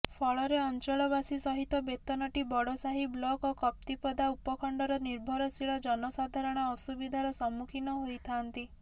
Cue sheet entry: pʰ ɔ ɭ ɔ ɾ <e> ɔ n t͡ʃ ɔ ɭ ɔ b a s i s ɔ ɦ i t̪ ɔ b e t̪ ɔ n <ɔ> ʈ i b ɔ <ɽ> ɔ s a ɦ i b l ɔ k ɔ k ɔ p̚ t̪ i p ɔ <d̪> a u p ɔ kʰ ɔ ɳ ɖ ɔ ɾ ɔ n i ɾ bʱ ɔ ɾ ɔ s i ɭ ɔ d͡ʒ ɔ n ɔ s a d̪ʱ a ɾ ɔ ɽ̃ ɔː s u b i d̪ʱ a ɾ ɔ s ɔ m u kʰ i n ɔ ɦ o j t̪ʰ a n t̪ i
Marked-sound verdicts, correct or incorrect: correct, correct, correct, correct

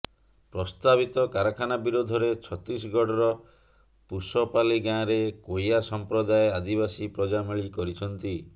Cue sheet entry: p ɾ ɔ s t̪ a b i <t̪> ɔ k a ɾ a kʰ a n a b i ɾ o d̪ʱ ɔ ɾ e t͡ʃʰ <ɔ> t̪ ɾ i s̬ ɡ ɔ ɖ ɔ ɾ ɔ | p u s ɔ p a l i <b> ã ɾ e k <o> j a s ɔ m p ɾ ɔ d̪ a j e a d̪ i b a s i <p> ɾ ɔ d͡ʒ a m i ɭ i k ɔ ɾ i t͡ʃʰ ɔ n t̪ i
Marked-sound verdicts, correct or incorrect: correct, correct, incorrect: ɡ, correct, correct

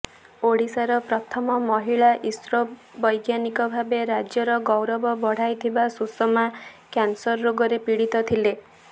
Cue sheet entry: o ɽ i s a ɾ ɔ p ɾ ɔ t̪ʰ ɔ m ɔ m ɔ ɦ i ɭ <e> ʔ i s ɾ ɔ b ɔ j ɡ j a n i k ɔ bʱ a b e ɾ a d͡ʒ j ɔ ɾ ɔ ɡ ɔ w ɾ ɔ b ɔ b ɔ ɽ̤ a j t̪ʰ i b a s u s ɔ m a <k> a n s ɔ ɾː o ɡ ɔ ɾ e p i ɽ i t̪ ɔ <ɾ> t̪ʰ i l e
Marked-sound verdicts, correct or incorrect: incorrect: a, correct, incorrect: none

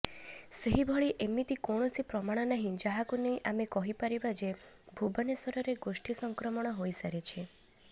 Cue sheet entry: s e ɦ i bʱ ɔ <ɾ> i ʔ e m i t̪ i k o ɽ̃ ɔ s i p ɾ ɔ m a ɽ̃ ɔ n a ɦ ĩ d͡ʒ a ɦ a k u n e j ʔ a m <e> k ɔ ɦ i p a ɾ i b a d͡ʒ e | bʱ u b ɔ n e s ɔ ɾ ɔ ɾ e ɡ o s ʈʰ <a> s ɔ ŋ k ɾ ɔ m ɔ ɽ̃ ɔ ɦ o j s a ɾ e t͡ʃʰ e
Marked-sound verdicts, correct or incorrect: incorrect: ɭ, correct, incorrect: i

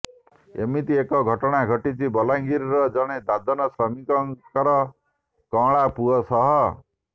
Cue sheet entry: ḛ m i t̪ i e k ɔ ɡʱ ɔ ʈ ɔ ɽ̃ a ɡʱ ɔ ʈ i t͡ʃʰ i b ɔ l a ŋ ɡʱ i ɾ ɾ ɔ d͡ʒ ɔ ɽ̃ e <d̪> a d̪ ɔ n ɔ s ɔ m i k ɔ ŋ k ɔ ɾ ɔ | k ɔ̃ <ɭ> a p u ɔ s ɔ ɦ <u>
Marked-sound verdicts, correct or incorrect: correct, correct, incorrect: ɔ

